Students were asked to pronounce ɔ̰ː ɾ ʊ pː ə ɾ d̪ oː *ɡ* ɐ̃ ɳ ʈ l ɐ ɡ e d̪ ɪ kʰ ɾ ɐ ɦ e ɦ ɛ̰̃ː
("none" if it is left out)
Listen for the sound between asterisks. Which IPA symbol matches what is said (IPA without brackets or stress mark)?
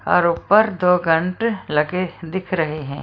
ɡ